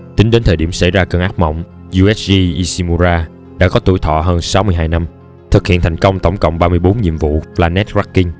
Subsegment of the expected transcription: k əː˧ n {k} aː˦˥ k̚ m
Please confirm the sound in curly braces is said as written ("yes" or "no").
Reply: no